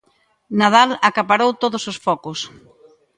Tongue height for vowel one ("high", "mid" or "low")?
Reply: low